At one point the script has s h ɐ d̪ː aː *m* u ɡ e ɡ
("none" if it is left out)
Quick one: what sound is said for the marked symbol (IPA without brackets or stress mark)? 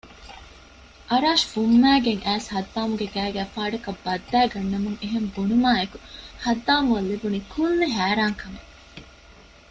m